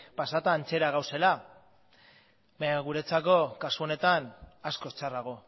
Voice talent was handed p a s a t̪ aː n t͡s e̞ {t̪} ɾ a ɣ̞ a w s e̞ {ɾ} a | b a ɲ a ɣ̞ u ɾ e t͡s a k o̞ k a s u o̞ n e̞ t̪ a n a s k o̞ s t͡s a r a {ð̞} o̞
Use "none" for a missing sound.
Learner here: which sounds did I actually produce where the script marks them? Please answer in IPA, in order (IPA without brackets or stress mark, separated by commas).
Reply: none, l, ɣ̞